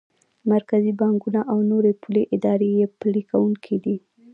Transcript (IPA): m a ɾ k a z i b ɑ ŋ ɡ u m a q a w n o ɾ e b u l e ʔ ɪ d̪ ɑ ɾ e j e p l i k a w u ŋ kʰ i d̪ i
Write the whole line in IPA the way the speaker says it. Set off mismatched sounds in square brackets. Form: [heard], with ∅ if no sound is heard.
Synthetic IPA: m a ɾ k a z i b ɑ ŋ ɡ u [n] a [ʔ] a w n o ɾ e [p] u l e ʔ ɪ d̪ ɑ ɾ e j e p l i k a w u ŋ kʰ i d̪ i